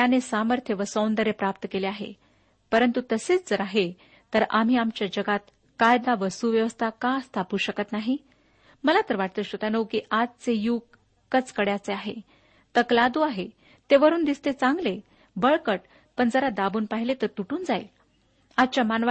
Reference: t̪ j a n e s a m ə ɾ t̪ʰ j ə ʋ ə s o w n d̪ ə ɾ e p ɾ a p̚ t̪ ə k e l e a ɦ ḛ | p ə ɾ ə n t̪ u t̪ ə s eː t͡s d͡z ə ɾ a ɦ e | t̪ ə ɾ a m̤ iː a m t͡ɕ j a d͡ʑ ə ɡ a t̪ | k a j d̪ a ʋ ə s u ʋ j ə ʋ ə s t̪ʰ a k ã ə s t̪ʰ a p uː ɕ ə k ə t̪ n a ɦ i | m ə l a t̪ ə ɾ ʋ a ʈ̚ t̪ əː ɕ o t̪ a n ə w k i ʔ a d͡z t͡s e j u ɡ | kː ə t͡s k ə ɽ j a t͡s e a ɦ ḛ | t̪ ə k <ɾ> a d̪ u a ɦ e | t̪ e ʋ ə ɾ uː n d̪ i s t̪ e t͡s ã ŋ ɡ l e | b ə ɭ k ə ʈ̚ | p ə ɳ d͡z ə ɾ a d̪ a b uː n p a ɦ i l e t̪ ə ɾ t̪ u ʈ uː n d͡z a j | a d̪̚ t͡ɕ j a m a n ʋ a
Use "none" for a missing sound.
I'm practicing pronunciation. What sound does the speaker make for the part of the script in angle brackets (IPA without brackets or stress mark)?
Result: l